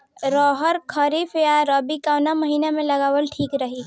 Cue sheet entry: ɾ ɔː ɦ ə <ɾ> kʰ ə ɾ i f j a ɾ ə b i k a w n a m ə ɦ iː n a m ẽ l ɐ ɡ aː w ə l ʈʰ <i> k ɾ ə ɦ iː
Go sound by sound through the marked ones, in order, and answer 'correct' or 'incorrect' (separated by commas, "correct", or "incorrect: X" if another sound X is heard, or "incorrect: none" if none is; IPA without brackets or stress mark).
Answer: correct, incorrect: iː